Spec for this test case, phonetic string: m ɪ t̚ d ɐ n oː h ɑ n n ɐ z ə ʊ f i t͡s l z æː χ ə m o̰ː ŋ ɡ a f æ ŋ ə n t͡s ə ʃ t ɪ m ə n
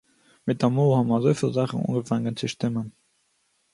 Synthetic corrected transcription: m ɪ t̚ d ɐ m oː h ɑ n m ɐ z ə ʊ f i l z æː χ ə n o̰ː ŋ ɡ ə f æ ŋ ə n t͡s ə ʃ t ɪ m ə n